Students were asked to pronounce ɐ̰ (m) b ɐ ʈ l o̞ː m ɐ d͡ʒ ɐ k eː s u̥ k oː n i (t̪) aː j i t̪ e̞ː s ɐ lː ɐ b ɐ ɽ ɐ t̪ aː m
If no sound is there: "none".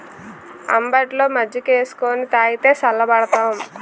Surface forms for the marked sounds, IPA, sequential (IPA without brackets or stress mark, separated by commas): m, t̪